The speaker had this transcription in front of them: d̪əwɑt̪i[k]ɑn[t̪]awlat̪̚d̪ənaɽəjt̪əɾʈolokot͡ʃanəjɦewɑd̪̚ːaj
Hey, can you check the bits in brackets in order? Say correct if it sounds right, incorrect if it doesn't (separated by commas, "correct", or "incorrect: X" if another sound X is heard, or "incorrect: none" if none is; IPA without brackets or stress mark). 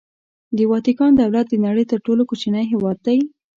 correct, incorrect: d̪